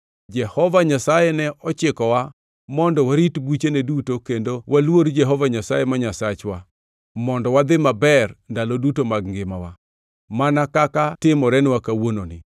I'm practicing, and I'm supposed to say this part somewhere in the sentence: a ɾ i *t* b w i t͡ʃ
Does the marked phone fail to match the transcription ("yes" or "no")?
no